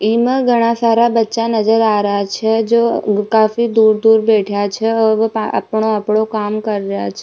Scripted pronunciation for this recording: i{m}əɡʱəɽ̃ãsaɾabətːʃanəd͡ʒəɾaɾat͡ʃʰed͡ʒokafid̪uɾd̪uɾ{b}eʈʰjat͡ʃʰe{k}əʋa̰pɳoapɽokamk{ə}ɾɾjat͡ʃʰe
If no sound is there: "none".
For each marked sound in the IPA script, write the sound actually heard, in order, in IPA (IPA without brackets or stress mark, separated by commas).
m, b, none, ə